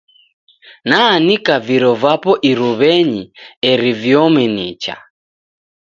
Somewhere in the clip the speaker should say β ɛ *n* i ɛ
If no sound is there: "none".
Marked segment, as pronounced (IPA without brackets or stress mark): ɲ